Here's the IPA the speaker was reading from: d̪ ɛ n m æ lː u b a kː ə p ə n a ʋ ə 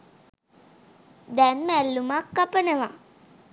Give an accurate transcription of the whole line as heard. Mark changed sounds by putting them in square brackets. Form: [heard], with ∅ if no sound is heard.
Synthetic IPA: d̪ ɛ n m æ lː u [m] a kː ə p ə n [ə] ʋ [a]